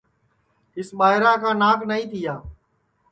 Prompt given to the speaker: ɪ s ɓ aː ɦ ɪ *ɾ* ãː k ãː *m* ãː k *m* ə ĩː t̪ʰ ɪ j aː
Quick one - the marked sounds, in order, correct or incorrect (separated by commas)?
correct, incorrect, incorrect